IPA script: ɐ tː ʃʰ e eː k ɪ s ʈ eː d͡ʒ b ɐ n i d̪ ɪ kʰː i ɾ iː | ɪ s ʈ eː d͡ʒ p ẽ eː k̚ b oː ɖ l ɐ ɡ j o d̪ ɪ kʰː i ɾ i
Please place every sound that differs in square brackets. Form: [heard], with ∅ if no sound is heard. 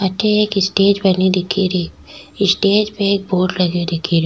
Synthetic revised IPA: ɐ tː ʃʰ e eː k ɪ s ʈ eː d͡ʒ b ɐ n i d̪ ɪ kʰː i ɾ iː | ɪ s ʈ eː d͡ʒ p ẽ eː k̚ b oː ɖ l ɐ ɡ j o d̪ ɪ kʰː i ɾ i

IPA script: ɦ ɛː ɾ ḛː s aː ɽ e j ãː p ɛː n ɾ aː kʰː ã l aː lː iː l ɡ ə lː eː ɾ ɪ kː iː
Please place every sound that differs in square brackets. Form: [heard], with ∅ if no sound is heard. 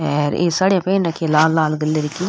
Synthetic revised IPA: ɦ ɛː ɾ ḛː s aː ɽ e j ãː p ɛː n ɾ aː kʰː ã l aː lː [aː] l ɡ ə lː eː ɾ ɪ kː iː

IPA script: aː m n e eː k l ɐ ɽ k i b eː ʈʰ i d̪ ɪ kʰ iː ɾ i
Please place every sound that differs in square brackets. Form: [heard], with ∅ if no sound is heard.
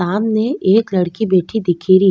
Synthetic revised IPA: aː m n e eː k l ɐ ɽ k i b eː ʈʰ i d̪ ɪ kʰ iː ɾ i

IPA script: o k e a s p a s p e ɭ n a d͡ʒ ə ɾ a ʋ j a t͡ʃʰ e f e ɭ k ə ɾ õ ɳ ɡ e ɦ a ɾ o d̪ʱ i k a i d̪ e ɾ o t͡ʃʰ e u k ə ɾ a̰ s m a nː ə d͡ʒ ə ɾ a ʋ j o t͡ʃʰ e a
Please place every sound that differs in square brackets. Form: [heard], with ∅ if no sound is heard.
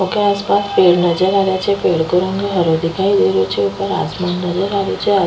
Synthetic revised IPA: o k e a s p a s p e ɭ n [ə] d͡ʒ ə ɾ a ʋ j a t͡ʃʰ e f e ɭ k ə ɾ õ [ŋ] ɡ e ɦ [ə] ɾ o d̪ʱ i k a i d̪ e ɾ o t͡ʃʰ e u [p] ə ɾ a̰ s m a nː ə d͡ʒ ə ɾ a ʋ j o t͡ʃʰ e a

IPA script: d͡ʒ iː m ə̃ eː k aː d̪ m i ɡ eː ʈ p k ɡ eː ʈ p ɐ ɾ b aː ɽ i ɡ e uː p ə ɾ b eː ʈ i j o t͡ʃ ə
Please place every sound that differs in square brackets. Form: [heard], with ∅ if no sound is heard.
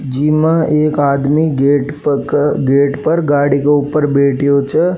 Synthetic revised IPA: d͡ʒ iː m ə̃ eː k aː d̪ m i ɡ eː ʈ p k ɡ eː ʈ p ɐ ɾ [ɡ] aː ɽ i [k] e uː p ə ɾ b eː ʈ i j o t͡ʃ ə

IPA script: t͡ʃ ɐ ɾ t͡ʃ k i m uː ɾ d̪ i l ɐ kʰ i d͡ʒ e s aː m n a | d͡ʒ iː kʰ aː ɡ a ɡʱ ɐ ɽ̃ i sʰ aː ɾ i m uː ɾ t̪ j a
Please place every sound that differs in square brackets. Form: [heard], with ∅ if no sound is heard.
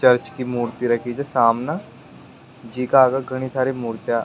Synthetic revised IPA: t͡ʃ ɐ ɾ t͡ʃ k i m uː ɾ [t̪] i [ɾ] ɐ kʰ i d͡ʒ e s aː m n a | d͡ʒ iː [k] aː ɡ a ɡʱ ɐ ɽ̃ i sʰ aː ɾ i m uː ɾ t̪ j a

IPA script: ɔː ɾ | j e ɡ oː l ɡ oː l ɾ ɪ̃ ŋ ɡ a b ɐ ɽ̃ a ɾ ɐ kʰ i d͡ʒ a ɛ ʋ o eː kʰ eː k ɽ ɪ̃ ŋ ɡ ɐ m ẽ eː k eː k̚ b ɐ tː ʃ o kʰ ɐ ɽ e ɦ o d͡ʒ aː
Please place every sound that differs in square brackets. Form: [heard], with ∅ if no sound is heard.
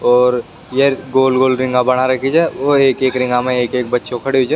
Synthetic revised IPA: ɔː ɾ | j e ɡ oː l ɡ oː l ɾ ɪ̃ ŋ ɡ a b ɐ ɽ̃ a ɾ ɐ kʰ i d͡ʒ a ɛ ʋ o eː [k] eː k [ɾ] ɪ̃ ŋ ɡ [a] m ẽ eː k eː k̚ b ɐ tː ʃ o kʰ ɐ ɽ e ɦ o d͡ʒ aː

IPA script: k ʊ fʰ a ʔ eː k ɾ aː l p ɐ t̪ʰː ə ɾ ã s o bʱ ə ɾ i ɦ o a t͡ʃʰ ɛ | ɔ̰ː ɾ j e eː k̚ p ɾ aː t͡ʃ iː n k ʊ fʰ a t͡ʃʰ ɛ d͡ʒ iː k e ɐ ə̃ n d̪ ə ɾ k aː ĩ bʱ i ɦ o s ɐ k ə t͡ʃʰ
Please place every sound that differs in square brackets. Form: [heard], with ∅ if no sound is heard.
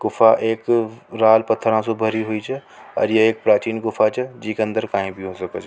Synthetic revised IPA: k ʊ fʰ a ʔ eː k ɾ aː l p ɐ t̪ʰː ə ɾ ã s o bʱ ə ɾ i ɦ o [i] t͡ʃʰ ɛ | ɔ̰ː ɾ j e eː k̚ p ɾ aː t͡ʃ iː n k ʊ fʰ a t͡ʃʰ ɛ d͡ʒ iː k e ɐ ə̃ n d̪ ə ɾ k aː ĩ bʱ i ɦ o s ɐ k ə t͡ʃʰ

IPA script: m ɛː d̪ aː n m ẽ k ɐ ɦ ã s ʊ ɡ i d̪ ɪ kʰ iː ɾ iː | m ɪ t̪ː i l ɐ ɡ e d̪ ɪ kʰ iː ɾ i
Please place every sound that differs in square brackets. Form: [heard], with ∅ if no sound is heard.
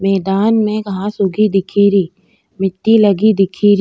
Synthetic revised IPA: m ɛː d̪ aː n m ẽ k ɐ ɦ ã s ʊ ɡ i d̪ ɪ kʰ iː ɾ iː | m ɪ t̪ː i l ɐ ɡ [i] d̪ ɪ kʰ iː ɾ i

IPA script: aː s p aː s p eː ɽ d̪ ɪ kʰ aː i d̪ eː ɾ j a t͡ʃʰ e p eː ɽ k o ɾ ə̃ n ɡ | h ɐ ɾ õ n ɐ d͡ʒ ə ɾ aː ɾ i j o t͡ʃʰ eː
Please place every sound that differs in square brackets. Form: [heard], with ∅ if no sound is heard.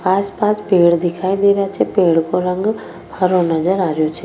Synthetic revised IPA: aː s p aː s p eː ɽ d̪ ɪ kʰ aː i d̪ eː ɾ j a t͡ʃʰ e p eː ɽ k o ɾ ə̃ [ŋ] ɡ | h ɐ ɾ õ n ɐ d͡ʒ ə ɾ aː ɾ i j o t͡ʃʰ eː

